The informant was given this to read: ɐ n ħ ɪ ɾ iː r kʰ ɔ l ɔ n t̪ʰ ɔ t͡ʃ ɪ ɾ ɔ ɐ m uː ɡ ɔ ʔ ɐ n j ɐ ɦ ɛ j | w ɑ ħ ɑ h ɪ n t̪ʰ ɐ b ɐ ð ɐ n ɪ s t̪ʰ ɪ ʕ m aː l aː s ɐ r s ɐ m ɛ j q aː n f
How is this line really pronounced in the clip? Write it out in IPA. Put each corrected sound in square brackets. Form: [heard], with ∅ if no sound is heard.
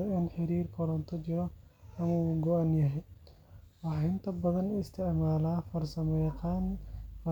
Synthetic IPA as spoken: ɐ n ħ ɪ ɾ iː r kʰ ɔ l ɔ n t̪ʰ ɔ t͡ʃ ɪ ɾ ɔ ɐ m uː ɡ ɔ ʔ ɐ n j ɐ ɦ ɛ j | w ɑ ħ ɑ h ɪ n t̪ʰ ɐ b ɐ ð ɐ n ɪ s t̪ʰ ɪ ʕ m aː l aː [f] ɐ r s ɐ m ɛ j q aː n f